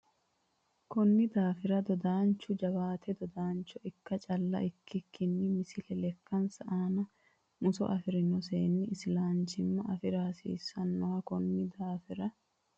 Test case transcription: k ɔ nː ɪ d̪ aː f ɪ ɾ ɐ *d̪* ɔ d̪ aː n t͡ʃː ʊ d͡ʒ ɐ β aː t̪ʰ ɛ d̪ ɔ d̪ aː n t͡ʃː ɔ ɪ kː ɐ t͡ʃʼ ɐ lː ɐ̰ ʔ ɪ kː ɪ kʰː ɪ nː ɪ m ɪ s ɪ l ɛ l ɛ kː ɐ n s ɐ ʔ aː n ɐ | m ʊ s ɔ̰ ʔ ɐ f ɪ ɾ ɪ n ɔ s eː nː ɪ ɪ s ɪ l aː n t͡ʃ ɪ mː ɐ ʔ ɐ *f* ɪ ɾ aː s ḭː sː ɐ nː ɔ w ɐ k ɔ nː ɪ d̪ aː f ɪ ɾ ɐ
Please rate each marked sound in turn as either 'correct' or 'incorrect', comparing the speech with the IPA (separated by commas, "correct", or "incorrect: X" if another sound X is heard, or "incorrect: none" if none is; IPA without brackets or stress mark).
correct, correct